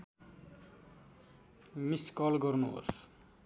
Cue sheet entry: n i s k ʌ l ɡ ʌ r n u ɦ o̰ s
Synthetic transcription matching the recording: m i s k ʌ l ɡ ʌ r n u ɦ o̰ s